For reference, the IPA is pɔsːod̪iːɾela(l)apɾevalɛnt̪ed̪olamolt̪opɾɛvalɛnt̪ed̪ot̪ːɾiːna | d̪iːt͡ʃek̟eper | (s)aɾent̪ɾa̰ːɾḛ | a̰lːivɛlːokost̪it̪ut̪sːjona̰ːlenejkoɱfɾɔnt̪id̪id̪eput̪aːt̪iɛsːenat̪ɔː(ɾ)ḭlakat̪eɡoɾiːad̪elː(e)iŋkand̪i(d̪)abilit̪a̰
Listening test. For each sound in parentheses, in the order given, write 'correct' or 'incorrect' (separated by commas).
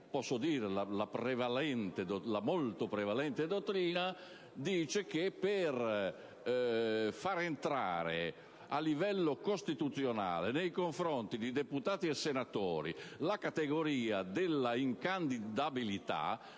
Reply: correct, incorrect, correct, incorrect, correct